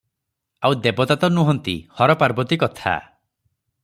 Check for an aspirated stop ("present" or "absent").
present